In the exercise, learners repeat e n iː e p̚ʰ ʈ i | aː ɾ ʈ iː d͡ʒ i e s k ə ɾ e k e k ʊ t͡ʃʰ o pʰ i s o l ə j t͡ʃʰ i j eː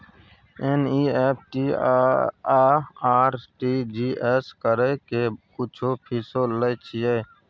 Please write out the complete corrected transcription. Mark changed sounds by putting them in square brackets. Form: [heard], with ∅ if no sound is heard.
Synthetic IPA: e n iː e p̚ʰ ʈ i | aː ɾ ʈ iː d͡ʒ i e s k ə ɾ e k e k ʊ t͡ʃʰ o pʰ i s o l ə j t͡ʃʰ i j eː